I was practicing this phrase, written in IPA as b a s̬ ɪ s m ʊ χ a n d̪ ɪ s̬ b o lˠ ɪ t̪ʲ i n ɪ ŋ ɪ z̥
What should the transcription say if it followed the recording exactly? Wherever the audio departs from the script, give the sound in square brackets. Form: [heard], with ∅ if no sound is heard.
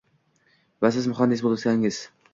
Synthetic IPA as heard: [v] a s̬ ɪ [z] m ʊ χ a n d̪ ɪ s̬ b o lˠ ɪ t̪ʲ [a] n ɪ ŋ ɪ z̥